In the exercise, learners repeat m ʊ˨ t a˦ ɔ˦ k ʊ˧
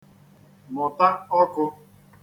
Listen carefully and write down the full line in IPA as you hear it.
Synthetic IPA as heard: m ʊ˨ t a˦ ɔ˦ k ʊ˧